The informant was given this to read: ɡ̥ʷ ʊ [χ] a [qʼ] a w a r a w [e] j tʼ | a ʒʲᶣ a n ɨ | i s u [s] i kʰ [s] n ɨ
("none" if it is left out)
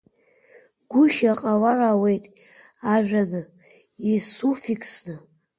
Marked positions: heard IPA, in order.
ʃ, qʼ, e, f, s

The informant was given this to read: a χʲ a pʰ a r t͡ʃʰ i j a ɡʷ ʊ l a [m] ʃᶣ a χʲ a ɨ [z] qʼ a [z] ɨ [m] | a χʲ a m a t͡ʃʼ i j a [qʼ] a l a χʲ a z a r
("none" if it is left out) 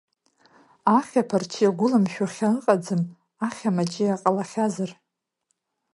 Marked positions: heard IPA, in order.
m, none, d͡z, m, qʼ

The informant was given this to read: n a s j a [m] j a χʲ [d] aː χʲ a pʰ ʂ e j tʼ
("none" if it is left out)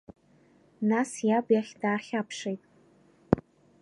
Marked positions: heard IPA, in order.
b, d

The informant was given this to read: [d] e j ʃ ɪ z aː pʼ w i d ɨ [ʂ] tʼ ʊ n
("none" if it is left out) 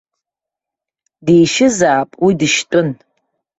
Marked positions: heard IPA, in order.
d, ʃ

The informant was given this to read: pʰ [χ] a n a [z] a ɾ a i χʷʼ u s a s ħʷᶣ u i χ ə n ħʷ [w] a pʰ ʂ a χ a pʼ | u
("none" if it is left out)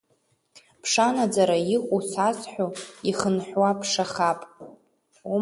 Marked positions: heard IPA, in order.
ʂ, d͡z, w

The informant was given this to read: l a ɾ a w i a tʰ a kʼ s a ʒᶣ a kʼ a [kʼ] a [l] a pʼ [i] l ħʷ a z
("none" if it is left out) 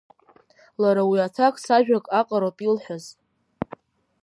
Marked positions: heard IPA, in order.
qʼ, ɾ, i

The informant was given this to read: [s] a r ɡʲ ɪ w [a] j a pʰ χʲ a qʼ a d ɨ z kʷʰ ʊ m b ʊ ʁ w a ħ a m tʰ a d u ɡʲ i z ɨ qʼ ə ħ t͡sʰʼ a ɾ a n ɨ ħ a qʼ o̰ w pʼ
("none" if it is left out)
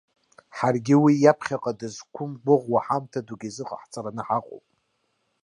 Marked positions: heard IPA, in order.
ħ, i

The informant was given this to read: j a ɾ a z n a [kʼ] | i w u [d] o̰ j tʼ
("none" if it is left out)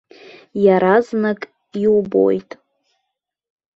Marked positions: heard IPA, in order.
kʼ, b

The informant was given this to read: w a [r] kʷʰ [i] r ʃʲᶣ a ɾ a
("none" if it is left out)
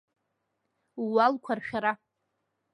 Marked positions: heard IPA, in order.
l, a

